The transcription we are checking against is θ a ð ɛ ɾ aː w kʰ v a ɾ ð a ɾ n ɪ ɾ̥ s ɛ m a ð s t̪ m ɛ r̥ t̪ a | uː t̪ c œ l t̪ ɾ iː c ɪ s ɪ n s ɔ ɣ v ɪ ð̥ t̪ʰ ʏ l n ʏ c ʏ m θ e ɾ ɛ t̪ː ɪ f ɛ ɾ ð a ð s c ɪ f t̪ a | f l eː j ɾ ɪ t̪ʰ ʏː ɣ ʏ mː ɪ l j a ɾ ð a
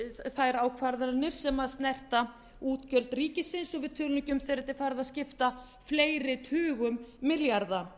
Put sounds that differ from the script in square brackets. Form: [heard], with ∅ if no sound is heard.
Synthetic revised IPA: θ a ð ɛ ɾ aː w kʰ v a ɾ ð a ɾ n ɪ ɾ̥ s ɛ m a ð s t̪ [n] ɛ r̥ t̪ a | uː t̪ c œ l t̪ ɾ iː c ɪ s ɪ n s ɔ ɣ v ɪ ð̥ t̪ʰ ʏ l n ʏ c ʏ m θ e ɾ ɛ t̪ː ɪ f [a] ɾ ð a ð s c ɪ f t̪ a | f l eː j ɾ ɪ t̪ʰ ʏː ɣ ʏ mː ɪ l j a ɾ ð a